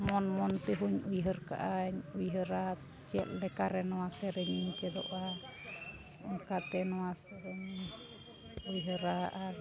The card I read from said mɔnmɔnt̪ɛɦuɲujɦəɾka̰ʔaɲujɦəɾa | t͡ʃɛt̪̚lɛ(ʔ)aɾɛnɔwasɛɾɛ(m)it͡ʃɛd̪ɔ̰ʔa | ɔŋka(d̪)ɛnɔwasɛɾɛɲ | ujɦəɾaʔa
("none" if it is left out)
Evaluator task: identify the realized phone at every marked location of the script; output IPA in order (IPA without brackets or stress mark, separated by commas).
k, ɲ, t̪